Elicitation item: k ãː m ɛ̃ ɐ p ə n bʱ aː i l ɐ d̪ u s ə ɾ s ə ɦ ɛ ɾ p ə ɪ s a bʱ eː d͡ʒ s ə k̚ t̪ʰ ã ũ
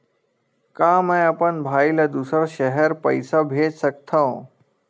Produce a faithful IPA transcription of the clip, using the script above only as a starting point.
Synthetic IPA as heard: k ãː m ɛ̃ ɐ p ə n bʱ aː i l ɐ d̪ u s ə ɾ ʃ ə ɦ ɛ ɾ p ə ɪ s a bʱ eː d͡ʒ s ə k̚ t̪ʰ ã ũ

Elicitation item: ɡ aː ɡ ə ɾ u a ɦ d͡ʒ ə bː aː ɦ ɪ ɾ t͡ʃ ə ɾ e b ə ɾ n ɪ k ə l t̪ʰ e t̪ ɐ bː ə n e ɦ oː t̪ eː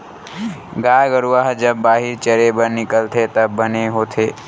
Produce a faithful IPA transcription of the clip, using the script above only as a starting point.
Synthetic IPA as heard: ɡ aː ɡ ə ɾ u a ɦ d͡ʒ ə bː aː ɦ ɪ ɾ t͡ʃ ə ɾ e b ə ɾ n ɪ k ə l t̪ʰ e t̪ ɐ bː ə n e ɦ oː t̪ʰ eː

